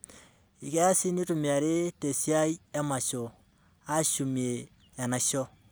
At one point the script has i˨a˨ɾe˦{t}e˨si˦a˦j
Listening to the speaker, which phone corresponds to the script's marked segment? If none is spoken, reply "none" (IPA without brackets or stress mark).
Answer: t